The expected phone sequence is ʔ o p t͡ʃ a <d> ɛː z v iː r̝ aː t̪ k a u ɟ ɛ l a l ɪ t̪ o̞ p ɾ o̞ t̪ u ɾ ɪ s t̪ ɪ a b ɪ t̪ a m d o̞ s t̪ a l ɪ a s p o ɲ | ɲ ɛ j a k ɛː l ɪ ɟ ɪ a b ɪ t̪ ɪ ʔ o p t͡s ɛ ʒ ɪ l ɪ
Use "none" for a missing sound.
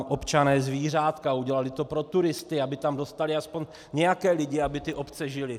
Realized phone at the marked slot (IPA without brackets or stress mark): n